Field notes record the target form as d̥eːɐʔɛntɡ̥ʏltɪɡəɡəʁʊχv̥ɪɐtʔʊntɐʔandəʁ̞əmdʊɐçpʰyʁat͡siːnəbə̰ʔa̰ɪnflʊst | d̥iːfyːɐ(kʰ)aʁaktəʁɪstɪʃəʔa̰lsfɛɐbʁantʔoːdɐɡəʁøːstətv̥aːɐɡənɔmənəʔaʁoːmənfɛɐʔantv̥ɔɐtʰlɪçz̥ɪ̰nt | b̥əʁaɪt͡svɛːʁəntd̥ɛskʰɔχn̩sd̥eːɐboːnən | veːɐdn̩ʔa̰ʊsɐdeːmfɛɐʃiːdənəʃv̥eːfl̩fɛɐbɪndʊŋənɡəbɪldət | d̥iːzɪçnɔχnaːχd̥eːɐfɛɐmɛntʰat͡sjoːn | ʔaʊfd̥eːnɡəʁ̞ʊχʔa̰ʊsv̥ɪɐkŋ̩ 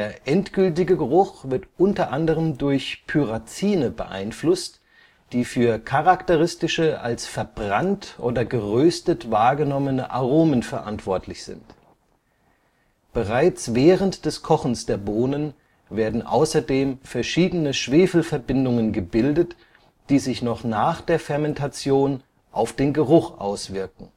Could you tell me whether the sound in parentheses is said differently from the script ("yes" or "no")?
no